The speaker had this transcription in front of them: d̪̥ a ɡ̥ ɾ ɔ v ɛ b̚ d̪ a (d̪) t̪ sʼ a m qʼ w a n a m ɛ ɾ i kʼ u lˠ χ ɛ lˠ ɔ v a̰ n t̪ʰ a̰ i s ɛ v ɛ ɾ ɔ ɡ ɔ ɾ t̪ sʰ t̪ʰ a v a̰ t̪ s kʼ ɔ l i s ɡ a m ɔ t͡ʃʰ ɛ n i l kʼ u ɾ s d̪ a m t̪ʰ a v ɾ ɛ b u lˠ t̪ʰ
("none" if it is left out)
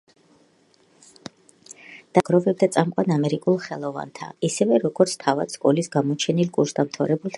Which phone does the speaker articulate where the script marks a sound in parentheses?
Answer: none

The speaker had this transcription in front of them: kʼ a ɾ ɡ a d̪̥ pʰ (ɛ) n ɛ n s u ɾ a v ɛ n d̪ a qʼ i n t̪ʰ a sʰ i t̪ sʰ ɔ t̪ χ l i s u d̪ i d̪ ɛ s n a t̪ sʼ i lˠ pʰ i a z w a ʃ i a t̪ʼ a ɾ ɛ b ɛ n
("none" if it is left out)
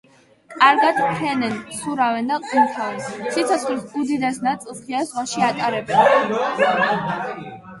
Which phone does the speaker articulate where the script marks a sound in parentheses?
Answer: ɛ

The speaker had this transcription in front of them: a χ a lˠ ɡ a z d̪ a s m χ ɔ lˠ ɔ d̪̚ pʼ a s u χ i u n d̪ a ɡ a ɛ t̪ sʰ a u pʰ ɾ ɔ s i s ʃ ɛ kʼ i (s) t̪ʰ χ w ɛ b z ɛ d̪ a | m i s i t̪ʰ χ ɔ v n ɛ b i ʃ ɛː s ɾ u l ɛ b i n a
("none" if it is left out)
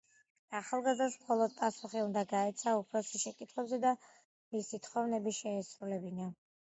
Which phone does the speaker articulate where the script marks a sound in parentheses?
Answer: none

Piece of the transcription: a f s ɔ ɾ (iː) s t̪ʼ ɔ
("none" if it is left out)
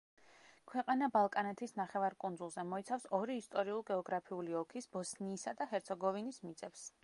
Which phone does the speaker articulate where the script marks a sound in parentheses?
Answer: iː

